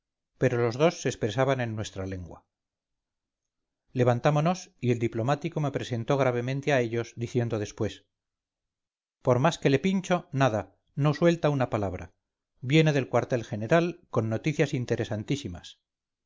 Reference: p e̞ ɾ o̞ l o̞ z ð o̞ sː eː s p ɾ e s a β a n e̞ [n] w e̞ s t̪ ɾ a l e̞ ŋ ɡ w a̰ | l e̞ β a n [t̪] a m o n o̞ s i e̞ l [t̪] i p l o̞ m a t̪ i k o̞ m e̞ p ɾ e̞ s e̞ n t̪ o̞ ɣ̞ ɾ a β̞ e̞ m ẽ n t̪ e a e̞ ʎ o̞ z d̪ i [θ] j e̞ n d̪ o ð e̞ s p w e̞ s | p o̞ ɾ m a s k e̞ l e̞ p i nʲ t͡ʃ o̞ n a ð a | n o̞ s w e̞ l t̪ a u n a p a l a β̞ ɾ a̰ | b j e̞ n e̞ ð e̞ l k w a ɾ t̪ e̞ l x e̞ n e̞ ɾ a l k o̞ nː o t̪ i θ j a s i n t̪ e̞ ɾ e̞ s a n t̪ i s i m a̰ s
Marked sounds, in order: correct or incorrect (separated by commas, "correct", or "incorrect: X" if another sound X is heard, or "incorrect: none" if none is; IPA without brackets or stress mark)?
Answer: incorrect: nː, correct, incorrect: d̪, correct